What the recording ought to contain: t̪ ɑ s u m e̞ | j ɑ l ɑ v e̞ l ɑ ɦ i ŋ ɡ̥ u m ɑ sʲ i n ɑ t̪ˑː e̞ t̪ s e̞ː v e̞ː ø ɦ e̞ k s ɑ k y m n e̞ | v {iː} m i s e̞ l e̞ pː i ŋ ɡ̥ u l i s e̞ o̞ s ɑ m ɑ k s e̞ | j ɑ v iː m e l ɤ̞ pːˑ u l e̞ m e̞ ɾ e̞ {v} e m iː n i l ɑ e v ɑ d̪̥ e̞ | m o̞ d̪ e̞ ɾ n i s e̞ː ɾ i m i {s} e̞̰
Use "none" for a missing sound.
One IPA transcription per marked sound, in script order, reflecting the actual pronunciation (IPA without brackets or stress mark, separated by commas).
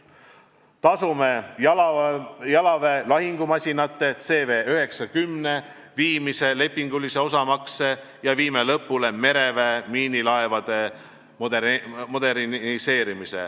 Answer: iː, v, s